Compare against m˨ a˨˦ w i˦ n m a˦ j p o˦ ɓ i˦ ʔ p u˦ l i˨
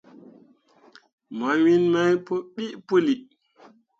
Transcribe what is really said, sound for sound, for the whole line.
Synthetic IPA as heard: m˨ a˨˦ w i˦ n m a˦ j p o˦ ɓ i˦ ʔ p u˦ l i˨